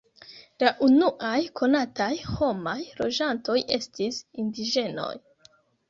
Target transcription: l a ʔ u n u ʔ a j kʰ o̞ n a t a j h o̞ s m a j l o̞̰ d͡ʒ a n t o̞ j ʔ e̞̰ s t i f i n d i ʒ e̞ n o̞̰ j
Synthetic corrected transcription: l a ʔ u n u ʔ a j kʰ o̞ n a t a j h o̞ m a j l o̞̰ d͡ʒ a n t o̞ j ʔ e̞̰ s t i s i n d i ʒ e̞ n o̞̰ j

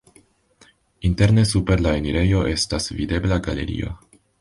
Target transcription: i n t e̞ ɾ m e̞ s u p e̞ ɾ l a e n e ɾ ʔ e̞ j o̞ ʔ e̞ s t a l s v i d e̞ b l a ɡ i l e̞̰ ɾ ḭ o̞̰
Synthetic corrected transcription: i n t e̞ ɾ n e̞ s u p e̞ ɾ l a e n i ɾ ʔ e̞ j o̞ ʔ e̞ s t a s v i d e̞ b l a ɡ a l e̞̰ ɾ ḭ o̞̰

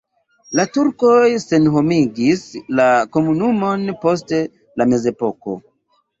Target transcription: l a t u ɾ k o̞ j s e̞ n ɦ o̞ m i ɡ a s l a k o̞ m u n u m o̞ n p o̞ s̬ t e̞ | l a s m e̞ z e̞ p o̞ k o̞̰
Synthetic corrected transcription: l a t u ɾ k o̞ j s e̞ n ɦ o̞ m i ɡ i s l a k o̞ m u n u m o̞ n p o̞ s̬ t e̞ | l a m e̞ z e̞ p o̞ k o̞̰

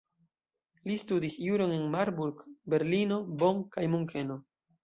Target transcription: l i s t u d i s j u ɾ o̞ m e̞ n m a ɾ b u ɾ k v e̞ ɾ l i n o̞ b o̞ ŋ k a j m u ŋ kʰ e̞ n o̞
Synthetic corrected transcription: l i s t u d i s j u ɾ o̞ n e̞ n m a ɾ b u ɾ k b e̞ ɾ l i n o̞ b o̞ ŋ k a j m u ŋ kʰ e̞ n o̞

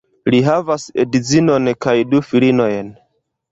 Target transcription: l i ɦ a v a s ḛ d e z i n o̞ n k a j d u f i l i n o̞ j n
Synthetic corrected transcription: l i ɦ a v a s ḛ d i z i n o̞ n k a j d u f i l i n o̞ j n

